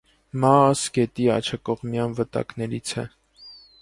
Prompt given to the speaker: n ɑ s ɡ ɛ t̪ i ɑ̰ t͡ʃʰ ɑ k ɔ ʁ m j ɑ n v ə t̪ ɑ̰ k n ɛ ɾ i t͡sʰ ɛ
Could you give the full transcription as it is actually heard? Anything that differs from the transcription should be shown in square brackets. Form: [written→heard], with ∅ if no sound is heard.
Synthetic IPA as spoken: [n→m] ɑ s ɡ ɛ t̪ i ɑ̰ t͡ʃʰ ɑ k ɔ ʁ m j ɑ n v ə t̪ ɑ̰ k n ɛ ɾ i t͡sʰ ɛ